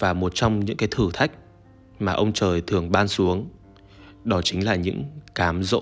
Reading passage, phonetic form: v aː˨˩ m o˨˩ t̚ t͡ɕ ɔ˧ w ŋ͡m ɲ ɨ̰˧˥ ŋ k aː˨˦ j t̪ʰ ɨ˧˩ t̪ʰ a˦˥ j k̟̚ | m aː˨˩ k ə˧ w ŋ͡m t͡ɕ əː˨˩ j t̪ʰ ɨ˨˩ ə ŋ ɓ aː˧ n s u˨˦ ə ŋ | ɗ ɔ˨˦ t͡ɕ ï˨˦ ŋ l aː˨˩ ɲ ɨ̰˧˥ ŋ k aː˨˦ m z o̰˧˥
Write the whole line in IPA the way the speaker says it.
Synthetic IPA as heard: v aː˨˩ m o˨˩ t̚ t͡ɕ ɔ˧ w ŋ͡m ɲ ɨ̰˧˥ ŋ k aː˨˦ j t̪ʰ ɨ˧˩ t̪ʰ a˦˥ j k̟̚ | m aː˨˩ ʔ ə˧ w ŋ͡m t͡ɕ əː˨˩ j t̪ʰ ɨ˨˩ ə ŋ ɓ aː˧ n s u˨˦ ə ŋ | ɗ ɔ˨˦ t͡ɕ ï˨˦ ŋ l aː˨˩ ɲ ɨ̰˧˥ ŋ k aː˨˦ m z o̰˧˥